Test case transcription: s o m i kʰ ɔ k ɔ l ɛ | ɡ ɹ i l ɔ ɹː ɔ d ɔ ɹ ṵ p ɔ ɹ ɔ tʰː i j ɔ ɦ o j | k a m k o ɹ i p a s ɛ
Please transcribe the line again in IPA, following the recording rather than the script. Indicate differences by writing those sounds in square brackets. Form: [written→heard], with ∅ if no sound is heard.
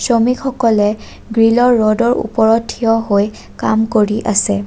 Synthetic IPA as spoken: s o m i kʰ ɔ k ɔ l ɛ | ɡ ɹ i l ɔ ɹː ɔ d ɔ ɹ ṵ p ɔ ɹ ɔ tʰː i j ɔ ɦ o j | k a m k o ɹ i [p→ʔ] a s ɛ